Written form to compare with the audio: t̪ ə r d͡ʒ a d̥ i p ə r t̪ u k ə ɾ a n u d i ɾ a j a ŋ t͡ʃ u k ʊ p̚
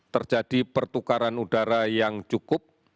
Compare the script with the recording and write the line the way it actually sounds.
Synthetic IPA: t̪ ə r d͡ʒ a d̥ i p ə r t̪ u k a ɾ a n u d a ɾ a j a ŋ t͡ʃ u k ʊ p̚